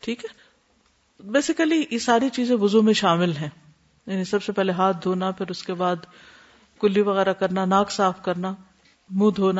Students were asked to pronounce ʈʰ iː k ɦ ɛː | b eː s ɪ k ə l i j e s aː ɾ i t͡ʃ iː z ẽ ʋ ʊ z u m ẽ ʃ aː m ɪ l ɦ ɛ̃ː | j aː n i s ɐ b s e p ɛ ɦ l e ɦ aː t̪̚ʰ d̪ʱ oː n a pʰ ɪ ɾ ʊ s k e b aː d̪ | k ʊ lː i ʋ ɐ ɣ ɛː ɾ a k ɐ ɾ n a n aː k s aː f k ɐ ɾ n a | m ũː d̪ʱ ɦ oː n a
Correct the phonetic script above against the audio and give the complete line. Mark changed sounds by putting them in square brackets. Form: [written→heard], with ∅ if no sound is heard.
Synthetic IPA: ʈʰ iː k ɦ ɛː | b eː s ɪ k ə l i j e s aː ɾ i t͡ʃ iː z ẽ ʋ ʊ z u m ẽ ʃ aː m ɪ l ɦ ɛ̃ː | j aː n i s ɐ b s e p ɛ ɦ l e ɦ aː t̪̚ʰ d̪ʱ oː n a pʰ ɪ ɾ ʊ s k e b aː d̪ | k ʊ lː i ʋ ɐ ɣ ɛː ɾ a k ɐ ɾ n a n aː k s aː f k ɐ ɾ n a | m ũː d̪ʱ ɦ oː n a